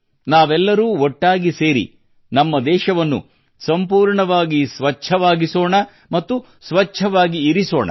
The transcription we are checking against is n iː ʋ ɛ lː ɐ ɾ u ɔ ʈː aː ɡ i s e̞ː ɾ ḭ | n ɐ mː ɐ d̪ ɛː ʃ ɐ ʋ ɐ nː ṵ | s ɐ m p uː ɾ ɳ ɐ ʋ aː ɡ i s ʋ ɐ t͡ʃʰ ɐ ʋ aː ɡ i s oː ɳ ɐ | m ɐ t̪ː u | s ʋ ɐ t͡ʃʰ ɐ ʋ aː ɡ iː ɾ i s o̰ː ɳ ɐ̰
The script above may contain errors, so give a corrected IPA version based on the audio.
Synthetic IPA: n aː ʋ ɛ lː ɐ ɾ uː ɔ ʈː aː ɡ i s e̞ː ɾ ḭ | n ɐ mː ɐ d̪ ɛː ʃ ɐ ʋ ɐ nː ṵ | s ɐ m p uː ɾ ɳ ɐ ʋ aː ɡ i s ʋ ɐ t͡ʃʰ ɐ ʋ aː ɡ i s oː ɳ ɐ | m ɐ t̪ː u | s ʋ ɐ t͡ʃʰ ɐ ʋ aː ɡ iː ɾ i s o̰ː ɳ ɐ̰